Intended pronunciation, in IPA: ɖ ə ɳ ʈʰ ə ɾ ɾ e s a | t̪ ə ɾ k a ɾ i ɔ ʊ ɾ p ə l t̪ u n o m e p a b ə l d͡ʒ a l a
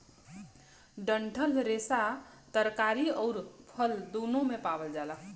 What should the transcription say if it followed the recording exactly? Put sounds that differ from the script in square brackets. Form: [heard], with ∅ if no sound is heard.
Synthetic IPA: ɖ ə ɳ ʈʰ ə [l] ɾ e s a | t̪ ə ɾ k a ɾ i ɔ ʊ ɾ [pʰ] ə l [d̪] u n o m e p a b ə l d͡ʒ a l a